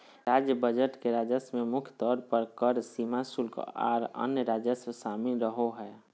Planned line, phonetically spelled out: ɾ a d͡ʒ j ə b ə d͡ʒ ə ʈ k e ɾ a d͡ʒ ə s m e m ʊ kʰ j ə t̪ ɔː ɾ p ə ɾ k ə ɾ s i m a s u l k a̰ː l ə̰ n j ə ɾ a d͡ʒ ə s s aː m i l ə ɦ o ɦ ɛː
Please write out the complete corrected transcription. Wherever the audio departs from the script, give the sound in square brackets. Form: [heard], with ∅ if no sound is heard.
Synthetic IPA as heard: ɾ a d͡ʒ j ə b ə d͡ʒ ə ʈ k e ɾ a d͡ʒ ə s m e m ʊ kʰ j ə t̪ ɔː ɾ p ə ɾ k ə ɾ s i m a s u l k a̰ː [ɾ] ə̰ n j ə ɾ a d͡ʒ ə s s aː m i [ɾ] ə ɦ o ɦ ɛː